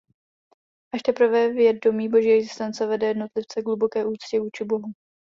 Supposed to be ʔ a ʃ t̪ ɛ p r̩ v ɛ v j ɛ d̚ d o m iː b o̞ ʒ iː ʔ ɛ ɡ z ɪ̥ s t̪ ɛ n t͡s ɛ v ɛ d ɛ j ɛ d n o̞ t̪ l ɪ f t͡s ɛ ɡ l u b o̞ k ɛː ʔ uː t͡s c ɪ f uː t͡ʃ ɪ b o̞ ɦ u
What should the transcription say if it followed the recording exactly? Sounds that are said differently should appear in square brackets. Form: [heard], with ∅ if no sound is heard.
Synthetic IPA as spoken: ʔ a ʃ t̪ ɛ p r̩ v ɛ v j ɛ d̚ d o m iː b o̞ ʒ iː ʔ ɛ ɡ z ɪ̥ s t̪ ɛ n t͡s ɛ v ɛ d ɛ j ɛ d n o̞ t̪ l ɪ f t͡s ɛ ɡ l u b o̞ k ɛː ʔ uː t͡s c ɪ [v] uː t͡ʃ ɪ b o̞ ɦ u